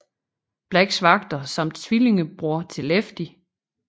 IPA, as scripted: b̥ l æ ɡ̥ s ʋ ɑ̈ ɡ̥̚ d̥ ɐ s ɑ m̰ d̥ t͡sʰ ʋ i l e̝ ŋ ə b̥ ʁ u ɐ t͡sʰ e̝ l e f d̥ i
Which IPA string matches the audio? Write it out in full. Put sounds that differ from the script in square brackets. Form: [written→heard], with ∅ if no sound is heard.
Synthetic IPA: b̥ l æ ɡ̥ s ʋ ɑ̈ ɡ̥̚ d̥ ɐ s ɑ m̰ d̥ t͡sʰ ʋ i l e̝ ŋ ə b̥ ʁ u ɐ t͡sʰ e̝ l e f d̥ i